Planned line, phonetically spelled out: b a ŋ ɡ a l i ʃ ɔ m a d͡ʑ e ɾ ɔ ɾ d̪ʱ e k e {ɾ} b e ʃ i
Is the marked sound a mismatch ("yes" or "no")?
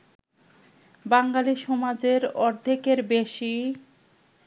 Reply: no